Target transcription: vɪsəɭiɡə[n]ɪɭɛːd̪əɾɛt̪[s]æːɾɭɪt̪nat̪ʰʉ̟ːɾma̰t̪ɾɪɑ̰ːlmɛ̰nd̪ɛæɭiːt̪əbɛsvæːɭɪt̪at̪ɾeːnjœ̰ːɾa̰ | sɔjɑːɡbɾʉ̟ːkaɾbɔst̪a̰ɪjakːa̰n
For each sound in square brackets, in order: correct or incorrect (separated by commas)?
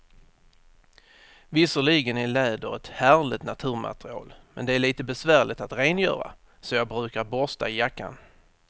correct, incorrect